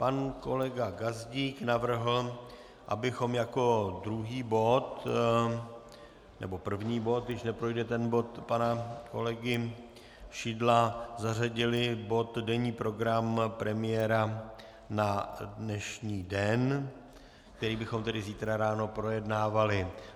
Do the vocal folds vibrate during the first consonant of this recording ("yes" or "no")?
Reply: no